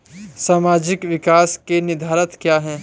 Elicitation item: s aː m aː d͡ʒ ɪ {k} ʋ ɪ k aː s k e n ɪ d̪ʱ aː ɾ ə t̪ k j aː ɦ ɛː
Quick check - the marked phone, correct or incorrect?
correct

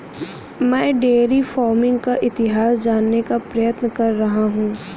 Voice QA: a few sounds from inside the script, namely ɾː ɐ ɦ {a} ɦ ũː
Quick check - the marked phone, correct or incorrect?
correct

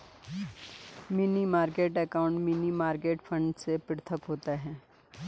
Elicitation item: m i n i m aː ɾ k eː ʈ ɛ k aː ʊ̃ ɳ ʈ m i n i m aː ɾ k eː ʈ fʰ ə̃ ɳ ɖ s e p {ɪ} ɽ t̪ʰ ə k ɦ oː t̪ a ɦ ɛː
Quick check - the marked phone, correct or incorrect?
correct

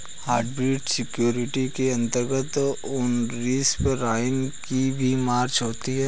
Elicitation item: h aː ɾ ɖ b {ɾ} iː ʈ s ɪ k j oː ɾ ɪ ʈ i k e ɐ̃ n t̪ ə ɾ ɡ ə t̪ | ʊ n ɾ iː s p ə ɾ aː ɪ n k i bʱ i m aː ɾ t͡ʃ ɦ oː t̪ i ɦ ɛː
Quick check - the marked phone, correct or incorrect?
correct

